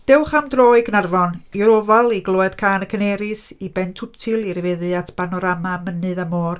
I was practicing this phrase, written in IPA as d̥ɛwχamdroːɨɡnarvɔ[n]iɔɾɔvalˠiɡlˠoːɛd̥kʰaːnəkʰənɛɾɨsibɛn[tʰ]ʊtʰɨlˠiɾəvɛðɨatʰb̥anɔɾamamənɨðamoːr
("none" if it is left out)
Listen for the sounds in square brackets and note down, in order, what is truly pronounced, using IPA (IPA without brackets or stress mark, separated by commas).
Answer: n, tʰ